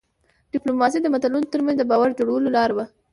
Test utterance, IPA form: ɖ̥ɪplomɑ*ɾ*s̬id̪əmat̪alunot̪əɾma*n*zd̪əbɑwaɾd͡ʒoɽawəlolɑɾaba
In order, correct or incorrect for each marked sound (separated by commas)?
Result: incorrect, correct